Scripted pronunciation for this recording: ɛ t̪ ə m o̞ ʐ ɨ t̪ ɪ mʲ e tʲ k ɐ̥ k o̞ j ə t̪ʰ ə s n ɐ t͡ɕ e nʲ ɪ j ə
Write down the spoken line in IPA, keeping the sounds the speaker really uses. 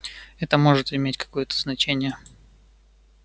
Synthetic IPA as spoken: ɛ t̪ ə m o̞ ʐ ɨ t̪ ɪ mʲ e tʲ k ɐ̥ k o̞ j ə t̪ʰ ə z n ɐ t͡ɕ e nʲ ɪ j ə